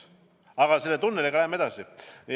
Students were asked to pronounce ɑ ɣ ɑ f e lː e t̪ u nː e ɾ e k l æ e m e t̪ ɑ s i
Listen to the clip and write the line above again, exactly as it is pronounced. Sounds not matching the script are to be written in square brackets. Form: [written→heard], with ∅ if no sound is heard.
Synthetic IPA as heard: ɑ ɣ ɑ [f→s] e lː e t̪ u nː e [ɾ→l] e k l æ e m e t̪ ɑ s i